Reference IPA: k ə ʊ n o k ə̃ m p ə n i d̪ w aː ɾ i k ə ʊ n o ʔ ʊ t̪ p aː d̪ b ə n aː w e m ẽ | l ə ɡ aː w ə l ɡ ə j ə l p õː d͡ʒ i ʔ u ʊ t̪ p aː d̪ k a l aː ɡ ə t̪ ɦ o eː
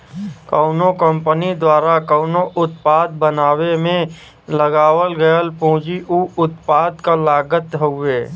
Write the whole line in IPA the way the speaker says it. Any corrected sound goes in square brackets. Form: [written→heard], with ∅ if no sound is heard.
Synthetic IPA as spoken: k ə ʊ n o k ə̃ m p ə n i d̪ w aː ɾ [i→a] k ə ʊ n o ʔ ʊ t̪ p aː d̪ b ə n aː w e m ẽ | l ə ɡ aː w ə l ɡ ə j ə l p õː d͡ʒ i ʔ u ʊ t̪ p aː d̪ k a l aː ɡ ə t̪ ɦ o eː